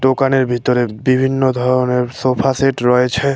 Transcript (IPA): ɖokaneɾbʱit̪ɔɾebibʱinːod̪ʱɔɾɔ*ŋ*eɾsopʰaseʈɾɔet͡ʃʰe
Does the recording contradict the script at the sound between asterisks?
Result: yes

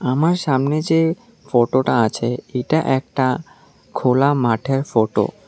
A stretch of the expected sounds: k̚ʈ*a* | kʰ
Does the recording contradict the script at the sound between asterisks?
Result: no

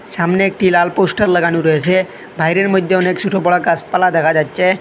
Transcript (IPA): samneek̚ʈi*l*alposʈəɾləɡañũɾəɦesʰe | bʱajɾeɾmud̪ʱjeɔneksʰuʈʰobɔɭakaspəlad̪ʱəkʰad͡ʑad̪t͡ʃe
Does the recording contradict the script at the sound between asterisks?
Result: no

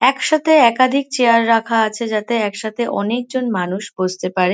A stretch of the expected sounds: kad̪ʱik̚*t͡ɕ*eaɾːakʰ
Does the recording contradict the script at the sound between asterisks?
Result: no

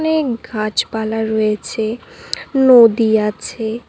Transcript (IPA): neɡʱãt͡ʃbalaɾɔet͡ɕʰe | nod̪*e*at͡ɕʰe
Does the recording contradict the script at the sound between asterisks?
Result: yes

